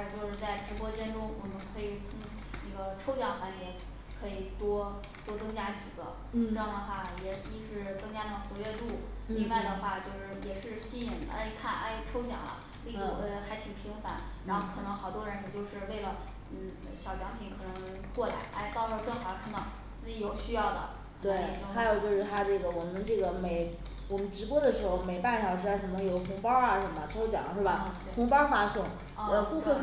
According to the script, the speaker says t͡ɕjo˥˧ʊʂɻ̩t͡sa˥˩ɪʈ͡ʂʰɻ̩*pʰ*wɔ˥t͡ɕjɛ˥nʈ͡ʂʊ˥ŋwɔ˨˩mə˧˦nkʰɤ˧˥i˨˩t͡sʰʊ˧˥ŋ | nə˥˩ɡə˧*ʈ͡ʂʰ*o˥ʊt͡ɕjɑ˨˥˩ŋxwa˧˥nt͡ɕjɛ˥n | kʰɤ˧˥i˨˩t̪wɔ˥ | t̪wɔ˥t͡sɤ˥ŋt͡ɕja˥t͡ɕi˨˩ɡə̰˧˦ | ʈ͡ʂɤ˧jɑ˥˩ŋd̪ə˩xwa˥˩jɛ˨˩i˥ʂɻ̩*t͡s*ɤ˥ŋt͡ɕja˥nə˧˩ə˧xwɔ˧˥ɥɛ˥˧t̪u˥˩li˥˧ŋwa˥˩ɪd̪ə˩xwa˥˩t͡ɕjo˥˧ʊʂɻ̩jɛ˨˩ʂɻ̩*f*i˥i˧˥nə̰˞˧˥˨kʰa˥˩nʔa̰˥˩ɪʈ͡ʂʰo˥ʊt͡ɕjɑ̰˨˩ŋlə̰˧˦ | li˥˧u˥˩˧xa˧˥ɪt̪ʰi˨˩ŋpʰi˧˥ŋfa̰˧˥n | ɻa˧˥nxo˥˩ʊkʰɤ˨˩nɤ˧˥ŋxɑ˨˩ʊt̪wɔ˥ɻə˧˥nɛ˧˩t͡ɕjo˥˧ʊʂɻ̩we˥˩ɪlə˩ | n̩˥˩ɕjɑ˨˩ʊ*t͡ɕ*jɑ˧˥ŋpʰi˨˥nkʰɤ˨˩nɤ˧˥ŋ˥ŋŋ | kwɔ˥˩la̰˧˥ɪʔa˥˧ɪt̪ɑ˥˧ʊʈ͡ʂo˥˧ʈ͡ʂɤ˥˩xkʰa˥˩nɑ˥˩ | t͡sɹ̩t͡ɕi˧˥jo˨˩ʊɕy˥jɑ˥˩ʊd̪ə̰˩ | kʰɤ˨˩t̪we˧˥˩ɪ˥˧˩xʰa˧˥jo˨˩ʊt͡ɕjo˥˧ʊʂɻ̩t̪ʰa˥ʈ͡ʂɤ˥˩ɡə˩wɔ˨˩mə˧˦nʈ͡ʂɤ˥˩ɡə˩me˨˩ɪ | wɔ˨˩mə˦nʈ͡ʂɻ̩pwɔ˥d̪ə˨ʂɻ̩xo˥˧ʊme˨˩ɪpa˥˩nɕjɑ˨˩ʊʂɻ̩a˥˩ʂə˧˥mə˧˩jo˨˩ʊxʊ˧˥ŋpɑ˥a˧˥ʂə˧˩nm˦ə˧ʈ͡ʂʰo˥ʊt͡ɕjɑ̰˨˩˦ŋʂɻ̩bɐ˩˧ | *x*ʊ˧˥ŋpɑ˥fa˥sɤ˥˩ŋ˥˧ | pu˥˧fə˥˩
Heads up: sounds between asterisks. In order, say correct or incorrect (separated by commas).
incorrect, correct, correct, incorrect, correct, correct